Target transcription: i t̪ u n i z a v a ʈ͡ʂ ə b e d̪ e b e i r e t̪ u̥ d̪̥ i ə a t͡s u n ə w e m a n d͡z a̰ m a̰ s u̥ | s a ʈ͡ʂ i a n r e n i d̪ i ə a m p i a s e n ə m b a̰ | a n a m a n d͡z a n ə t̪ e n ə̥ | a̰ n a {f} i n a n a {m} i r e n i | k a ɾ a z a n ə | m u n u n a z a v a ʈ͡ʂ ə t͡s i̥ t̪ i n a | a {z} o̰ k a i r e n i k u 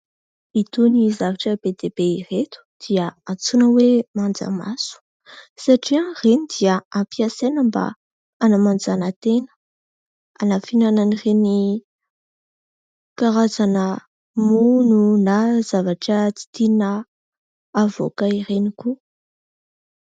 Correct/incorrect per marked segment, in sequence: correct, incorrect: n, incorrect: v

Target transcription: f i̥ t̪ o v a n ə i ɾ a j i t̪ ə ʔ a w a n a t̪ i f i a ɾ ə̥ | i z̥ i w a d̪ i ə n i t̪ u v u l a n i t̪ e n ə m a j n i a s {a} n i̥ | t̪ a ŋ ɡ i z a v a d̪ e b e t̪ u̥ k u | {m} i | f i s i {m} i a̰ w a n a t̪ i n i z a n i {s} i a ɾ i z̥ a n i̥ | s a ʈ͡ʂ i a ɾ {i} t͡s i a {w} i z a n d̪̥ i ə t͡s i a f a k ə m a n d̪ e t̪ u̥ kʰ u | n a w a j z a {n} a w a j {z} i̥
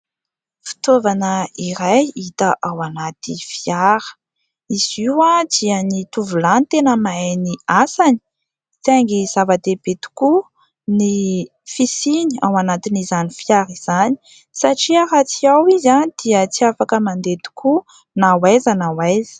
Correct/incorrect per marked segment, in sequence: correct, incorrect: n, incorrect: n, incorrect: f, incorrect: a, correct, correct, correct

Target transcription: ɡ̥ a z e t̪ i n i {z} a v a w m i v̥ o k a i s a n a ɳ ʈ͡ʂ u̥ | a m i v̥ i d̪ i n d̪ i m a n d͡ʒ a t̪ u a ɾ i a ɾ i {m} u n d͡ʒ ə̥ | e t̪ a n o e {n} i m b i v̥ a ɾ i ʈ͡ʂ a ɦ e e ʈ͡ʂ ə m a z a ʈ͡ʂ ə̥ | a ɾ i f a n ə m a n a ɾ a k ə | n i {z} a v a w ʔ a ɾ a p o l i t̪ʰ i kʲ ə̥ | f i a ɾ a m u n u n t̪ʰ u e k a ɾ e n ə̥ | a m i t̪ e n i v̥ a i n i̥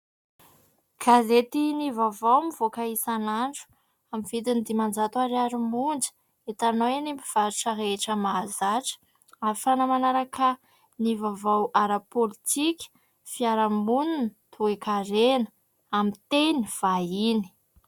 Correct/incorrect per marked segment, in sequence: incorrect: v, correct, correct, incorrect: v

